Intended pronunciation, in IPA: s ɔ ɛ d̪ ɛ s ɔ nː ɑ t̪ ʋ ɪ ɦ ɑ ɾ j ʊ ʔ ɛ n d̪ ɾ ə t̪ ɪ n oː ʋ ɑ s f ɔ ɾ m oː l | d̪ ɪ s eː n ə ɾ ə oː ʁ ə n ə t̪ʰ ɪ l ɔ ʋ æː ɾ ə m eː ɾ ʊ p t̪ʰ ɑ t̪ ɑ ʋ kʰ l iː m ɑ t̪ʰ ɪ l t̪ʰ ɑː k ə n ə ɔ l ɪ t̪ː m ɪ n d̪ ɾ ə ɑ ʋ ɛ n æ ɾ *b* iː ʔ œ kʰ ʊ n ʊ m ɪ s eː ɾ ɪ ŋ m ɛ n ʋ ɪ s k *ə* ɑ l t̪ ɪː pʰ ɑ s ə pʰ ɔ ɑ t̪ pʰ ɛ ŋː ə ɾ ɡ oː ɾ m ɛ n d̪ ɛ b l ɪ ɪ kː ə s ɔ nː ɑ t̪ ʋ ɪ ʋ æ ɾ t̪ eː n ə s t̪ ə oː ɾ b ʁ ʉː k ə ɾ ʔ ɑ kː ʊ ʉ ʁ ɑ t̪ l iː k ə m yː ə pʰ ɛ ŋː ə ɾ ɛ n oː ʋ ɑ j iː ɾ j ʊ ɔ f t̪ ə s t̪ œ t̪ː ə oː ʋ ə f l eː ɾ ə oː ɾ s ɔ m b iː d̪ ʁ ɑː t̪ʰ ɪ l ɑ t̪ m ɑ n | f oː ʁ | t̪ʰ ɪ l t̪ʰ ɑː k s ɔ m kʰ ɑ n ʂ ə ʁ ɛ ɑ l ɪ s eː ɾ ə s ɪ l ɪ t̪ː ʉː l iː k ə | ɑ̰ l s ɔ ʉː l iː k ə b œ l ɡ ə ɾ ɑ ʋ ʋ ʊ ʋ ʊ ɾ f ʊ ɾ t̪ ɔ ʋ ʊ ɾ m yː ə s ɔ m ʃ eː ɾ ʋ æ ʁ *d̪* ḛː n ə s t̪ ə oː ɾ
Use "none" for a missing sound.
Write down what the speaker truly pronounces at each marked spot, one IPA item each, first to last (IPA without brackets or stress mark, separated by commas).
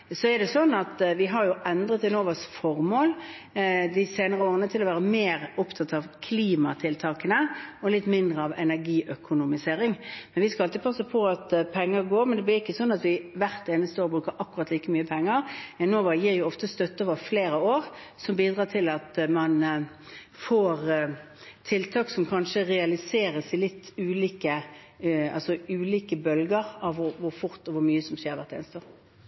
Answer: ɡ, ɑ, t̪